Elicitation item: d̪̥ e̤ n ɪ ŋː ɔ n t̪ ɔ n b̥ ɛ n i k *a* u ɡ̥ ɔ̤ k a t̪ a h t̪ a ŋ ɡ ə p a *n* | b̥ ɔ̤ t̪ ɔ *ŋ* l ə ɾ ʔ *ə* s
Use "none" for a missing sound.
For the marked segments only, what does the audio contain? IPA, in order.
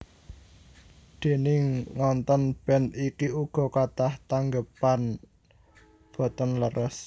i, n, n, ə

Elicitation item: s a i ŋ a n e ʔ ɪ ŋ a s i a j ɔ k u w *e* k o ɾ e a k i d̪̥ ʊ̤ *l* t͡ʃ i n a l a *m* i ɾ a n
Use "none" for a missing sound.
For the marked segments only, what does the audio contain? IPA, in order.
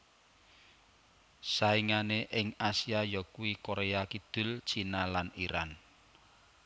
i, l, n

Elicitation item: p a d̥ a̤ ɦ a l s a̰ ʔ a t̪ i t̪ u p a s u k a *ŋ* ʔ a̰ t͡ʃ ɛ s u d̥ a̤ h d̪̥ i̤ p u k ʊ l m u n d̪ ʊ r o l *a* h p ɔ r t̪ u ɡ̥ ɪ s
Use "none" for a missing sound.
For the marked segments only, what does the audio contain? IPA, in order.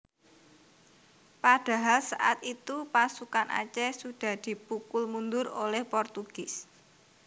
n, ɛ

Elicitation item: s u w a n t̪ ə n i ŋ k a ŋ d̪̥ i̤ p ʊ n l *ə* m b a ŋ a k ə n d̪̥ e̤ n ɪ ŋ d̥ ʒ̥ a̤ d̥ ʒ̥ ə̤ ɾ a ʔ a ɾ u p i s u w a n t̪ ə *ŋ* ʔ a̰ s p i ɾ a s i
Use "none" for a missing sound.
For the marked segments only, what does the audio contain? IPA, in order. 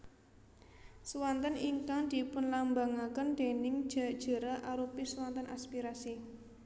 a, n

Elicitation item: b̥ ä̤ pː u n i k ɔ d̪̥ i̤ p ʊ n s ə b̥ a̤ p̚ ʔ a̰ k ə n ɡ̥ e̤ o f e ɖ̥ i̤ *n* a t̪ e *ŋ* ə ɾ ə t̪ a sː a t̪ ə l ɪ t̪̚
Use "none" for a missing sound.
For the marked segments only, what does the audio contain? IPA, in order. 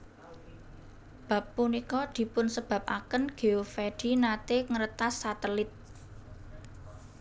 n, ŋ

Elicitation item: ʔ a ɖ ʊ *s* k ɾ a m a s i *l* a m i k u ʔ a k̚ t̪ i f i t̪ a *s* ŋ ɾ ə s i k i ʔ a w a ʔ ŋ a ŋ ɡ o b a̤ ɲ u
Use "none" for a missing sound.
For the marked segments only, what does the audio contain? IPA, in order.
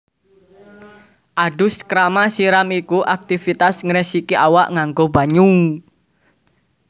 s, ɾ, s

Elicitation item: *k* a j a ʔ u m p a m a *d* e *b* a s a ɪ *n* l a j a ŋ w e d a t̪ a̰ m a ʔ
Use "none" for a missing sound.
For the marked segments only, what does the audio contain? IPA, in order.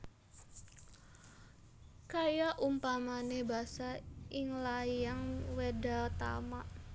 k, n, b, ŋ

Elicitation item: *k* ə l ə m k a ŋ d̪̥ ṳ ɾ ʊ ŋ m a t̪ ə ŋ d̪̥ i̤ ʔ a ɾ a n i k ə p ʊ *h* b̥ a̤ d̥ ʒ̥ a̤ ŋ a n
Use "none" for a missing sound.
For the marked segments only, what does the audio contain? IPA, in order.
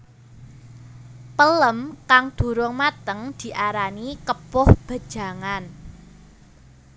p, h

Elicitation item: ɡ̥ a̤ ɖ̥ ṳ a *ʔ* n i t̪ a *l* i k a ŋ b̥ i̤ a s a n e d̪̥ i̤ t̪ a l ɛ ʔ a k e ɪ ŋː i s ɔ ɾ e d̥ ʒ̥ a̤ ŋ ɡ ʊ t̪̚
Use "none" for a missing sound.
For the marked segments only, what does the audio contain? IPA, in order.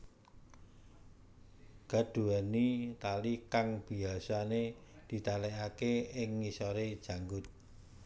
none, l

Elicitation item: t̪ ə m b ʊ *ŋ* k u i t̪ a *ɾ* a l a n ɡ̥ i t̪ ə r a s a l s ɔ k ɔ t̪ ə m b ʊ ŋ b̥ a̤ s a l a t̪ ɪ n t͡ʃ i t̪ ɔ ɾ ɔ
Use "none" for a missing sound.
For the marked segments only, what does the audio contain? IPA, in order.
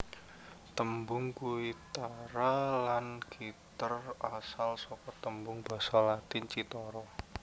ŋ, ɾ

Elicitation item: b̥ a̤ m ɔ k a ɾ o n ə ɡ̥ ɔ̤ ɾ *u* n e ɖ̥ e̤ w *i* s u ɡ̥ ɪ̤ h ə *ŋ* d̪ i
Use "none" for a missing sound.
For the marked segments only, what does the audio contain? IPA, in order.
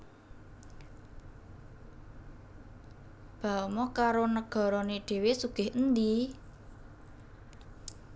ɔ, e, n

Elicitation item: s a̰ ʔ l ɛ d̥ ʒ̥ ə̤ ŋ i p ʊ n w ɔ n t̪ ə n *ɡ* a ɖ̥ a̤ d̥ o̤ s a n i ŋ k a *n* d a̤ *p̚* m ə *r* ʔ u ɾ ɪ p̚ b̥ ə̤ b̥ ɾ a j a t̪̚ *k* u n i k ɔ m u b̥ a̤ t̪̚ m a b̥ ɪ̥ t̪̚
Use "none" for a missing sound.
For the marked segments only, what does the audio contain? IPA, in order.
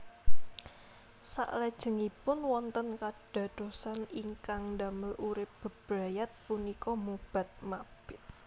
k, ŋ, none, l, p

